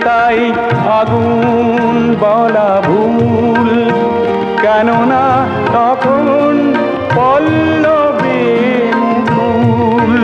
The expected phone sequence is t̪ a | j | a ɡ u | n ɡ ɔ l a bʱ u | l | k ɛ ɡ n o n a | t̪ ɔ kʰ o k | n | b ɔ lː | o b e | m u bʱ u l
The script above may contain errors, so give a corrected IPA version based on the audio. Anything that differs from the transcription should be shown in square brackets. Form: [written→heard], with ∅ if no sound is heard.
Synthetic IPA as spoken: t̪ a | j | a ɡ u | n [ɡ→b] ɔ l a bʱ u | l | k ɛ [ɡ→∅] n o n a | t̪ ɔ kʰ o [k→∅] | n | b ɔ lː | o b e | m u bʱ u l